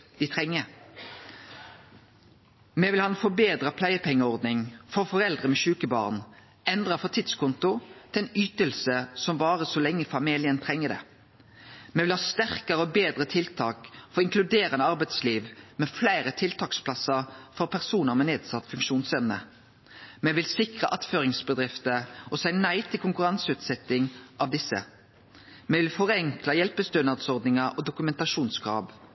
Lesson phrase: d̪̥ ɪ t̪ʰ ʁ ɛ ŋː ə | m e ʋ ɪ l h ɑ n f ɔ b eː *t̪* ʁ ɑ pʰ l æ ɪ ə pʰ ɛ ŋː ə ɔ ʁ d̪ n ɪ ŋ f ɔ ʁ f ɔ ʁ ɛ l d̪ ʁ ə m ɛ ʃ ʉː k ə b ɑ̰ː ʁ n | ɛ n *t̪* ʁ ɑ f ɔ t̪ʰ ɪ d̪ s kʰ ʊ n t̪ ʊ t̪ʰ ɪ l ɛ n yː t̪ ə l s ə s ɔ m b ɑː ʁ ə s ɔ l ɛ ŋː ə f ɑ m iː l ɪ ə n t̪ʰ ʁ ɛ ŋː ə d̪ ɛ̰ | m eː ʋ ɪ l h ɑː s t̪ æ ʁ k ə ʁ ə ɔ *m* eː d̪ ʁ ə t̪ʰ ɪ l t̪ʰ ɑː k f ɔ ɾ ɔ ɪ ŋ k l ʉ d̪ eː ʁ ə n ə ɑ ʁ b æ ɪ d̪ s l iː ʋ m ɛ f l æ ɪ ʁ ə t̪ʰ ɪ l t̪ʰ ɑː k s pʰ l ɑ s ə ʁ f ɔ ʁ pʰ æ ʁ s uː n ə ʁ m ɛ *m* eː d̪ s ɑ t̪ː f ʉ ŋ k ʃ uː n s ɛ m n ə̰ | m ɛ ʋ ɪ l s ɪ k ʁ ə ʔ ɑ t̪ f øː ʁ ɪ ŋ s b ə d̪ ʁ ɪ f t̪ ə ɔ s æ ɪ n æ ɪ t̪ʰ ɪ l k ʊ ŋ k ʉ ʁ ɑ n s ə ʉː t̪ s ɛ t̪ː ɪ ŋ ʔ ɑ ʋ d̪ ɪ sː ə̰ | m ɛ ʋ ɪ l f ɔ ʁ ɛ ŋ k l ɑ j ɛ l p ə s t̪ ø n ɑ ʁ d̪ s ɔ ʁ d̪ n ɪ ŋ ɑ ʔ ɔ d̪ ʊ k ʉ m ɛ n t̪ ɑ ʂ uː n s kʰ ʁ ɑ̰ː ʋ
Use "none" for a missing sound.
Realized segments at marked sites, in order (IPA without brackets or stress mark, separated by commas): d̪, d̪, b, n